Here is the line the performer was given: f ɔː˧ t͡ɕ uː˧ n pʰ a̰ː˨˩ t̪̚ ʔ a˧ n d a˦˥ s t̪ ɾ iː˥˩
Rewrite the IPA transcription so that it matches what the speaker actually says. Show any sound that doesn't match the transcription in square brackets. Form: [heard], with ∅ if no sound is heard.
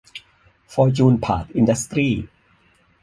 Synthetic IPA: f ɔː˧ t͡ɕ uː˧ n pʰ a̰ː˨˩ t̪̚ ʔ [i˧] n d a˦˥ s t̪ ɾ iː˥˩